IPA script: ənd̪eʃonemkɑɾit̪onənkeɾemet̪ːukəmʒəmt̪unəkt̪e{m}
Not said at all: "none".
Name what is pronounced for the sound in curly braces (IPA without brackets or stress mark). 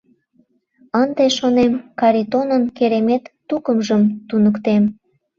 m